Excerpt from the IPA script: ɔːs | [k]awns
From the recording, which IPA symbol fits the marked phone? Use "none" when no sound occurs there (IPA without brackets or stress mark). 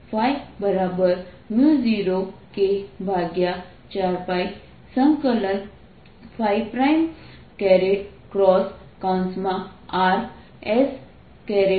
k